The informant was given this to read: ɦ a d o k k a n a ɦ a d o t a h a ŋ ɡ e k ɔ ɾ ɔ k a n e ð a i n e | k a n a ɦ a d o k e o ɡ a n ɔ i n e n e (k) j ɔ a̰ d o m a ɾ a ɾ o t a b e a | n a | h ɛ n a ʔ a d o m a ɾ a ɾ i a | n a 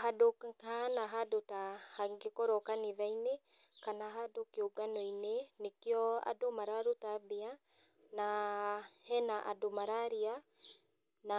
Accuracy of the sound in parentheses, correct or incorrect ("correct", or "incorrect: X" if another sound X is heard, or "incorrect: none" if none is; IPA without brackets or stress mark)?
correct